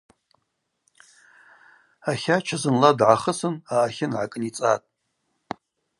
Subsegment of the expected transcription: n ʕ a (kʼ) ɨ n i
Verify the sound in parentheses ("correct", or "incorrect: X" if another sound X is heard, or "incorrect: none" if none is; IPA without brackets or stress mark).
correct